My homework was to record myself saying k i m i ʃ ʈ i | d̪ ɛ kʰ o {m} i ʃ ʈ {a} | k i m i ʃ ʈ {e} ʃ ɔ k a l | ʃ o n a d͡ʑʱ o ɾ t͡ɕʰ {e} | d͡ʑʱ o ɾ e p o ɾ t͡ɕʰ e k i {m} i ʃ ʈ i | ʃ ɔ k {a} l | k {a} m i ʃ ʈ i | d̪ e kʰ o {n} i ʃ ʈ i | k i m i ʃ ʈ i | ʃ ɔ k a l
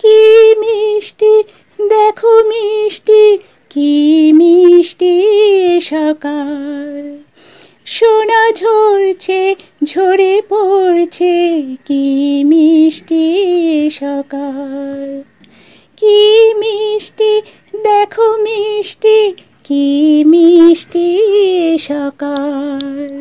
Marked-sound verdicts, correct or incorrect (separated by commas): correct, incorrect, incorrect, correct, correct, correct, incorrect, incorrect